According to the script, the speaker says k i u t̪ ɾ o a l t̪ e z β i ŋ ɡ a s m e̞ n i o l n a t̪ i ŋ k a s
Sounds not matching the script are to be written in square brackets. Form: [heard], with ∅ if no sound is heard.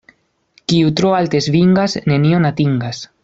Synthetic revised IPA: k i u t̪ ɾ o a l t̪ e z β i ŋ ɡ a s [n] e̞ n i o [∅] n a t̪ i ŋ [ɡ] a s